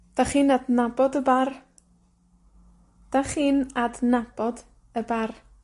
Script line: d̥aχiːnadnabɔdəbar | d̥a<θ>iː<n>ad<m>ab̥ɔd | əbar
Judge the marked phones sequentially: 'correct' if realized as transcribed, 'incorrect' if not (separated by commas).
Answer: incorrect, correct, incorrect